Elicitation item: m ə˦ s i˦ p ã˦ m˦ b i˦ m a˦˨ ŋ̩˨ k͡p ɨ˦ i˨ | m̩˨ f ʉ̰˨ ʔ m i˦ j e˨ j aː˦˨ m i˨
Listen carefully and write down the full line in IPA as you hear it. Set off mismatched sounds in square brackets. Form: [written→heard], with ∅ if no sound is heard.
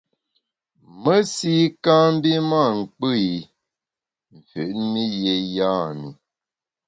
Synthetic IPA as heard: m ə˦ s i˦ [p→k] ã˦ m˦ b i˦ m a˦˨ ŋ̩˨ k͡p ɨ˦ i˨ | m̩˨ f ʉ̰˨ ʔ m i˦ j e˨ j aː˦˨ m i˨